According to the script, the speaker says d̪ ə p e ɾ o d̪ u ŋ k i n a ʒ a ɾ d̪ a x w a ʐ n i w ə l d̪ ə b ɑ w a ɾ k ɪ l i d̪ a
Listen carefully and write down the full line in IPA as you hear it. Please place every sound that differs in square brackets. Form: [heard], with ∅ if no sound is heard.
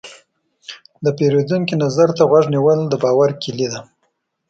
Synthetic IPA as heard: d̪ ə p e ɾ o d̪ u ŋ k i n a [z] a ɾ [t̪] a [ɣ] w a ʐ n i w ə l d̪ ə b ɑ w a ɾ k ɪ l i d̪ a